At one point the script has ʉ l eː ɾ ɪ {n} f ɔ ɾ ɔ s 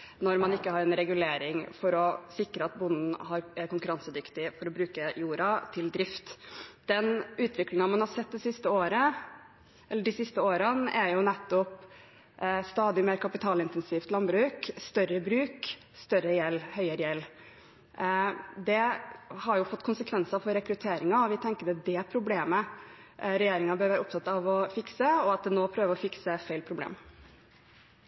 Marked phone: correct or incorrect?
incorrect